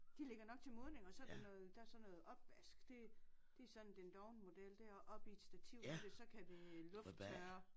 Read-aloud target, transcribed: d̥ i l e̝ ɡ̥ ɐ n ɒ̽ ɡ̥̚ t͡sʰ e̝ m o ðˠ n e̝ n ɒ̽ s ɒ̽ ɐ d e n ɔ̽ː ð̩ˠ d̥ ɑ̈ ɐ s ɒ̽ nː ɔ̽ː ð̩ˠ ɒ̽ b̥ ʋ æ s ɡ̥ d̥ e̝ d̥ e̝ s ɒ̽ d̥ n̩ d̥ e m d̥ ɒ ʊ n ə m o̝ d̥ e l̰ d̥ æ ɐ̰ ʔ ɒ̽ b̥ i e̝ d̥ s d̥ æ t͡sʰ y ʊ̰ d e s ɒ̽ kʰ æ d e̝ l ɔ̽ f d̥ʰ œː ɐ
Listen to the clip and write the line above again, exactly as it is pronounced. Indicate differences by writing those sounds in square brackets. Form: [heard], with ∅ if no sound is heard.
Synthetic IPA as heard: d̥ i l e̝ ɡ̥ ɐ n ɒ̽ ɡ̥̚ t͡sʰ e̝ m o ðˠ n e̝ [ŋ] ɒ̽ s ɒ̽ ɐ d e n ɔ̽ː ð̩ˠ d̥ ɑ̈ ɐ s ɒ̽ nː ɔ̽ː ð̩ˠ ɒ̽ b̥ ʋ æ s ɡ̥ d̥ e̝ d̥ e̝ s ɒ̽ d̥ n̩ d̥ e [n] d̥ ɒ ʊ n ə m o̝ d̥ e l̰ d̥ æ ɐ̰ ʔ ɒ̽ b̥ i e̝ d̥ s d̥ æ t͡sʰ [i] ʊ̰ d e s ɒ̽ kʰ æ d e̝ l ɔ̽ f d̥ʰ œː ɐ

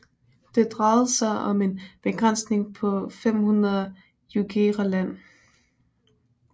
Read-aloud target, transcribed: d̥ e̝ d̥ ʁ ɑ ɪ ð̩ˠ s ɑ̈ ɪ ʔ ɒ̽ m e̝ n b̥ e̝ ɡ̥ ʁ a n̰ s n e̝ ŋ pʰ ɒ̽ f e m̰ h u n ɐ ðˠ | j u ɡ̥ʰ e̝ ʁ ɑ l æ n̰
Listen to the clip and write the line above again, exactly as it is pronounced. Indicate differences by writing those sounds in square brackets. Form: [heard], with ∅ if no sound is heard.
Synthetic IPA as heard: d̥ e̝ d̥ ʁ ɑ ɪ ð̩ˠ s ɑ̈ ɪ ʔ ɒ̽ m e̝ n b̥ e̝ ɡ̥ ʁ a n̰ s n e̝ ŋ pʰ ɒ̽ f e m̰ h u n ɐ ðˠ | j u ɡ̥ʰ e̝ ʁ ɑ l æ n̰

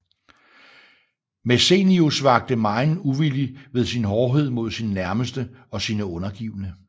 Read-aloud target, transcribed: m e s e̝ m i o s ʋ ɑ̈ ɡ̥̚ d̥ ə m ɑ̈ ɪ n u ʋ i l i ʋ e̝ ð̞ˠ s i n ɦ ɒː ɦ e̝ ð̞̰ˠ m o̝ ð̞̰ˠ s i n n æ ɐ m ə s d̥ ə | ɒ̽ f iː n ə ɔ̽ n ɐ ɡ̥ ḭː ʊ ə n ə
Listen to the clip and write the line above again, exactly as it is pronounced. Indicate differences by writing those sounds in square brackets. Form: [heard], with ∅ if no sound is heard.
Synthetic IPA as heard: m e s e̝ [n] i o s ʋ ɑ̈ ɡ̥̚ d̥ ə m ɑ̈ ɪ n u ʋ i l i ʋ e̝ ð̞ˠ s i n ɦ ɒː ɦ e̝ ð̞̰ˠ m o̝ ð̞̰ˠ s i n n æ ɐ m ə s d̥ ə | ɒ̽ [s] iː n ə ɔ̽ n ɐ ɡ̥ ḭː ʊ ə n ə

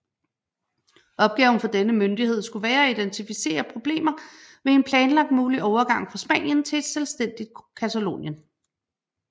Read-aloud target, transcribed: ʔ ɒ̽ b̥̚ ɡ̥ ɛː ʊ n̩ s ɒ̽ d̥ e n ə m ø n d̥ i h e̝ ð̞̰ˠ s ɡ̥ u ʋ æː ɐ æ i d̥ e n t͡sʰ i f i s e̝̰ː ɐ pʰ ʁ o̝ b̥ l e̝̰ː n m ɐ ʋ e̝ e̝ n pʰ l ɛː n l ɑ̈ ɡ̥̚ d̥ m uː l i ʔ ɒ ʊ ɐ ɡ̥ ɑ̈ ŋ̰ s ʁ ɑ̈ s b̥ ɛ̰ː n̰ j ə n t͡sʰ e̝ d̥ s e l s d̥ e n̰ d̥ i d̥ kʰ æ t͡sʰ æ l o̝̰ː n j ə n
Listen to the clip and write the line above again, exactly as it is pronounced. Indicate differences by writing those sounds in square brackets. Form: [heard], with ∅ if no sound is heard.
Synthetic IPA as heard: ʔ ɒ̽ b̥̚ ɡ̥ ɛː ʊ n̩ [f] ɒ̽ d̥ e n ə m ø n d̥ i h e̝ ð̞̰ˠ s ɡ̥ u ʋ æː ɐ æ i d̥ e n t͡sʰ i f i s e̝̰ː ɐ pʰ ʁ o̝ b̥ l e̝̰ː [∅] m ɐ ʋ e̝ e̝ n pʰ l ɛː n l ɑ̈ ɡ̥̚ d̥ m uː l i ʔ ɒ ʊ ɐ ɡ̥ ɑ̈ ŋ̰ [f] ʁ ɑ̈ s b̥ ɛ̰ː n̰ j ə n t͡sʰ e̝ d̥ s e l s d̥ e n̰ d̥ i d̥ kʰ æ t͡sʰ æ l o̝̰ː n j ə n

